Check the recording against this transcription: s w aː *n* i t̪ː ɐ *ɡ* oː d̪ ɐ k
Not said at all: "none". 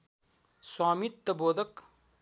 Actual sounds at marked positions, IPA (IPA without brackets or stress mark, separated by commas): m, b